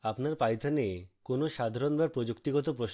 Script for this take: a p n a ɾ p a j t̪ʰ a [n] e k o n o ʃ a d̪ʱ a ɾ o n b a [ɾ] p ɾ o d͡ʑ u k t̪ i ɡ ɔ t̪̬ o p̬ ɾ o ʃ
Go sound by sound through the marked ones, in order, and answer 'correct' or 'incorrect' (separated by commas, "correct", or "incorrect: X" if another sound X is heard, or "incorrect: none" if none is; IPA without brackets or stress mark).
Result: correct, correct